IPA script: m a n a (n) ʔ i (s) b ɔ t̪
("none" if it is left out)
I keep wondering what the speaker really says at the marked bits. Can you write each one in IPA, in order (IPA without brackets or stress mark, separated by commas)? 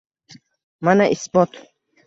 none, s